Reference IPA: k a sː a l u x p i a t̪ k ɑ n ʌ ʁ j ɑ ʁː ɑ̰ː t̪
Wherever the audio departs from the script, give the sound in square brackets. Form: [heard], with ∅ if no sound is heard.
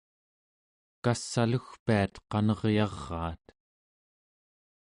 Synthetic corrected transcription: k a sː a l u x p i a t̪ [q] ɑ n ʌ ʁ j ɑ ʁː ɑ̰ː t̪